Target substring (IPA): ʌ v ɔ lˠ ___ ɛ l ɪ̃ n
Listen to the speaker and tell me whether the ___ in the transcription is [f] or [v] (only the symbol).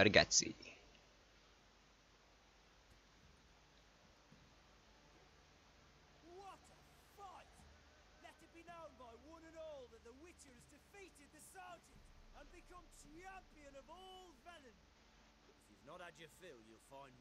v